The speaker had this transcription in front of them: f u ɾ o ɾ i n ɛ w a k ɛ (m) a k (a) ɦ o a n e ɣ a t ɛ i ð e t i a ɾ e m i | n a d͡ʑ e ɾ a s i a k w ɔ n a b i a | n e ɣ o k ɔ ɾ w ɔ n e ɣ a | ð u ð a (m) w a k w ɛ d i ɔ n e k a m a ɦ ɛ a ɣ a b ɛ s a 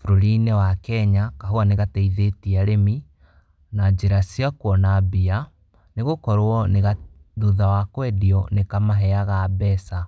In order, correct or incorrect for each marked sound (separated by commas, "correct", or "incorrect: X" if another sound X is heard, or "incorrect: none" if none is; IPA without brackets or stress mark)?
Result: incorrect: ɲ, correct, incorrect: none